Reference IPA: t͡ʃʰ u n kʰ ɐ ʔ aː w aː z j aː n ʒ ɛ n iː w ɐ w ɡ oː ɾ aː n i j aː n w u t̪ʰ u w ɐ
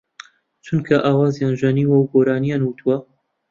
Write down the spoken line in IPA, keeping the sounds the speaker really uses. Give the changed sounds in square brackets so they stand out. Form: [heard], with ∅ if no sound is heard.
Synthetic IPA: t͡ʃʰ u n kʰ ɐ ʔ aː w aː z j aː n ʒ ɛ n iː w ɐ w ɡ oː ɾ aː n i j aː n w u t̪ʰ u w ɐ